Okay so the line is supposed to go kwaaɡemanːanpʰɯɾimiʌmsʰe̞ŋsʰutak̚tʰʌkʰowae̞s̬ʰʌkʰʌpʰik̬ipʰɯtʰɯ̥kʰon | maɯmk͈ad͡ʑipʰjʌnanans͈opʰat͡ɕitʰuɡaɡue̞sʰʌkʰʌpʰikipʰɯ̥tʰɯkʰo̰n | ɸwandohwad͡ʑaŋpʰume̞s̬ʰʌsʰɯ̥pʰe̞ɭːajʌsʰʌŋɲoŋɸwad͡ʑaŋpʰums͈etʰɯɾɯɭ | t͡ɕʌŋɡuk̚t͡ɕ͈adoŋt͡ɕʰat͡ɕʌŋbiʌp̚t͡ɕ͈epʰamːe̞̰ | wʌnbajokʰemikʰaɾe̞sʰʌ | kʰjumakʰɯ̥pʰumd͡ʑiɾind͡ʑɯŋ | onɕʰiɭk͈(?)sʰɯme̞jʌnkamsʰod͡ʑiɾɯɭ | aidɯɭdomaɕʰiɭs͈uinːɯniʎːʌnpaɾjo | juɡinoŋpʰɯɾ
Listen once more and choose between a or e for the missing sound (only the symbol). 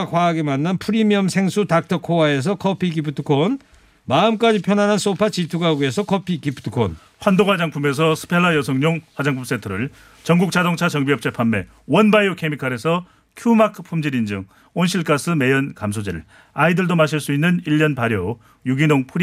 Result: a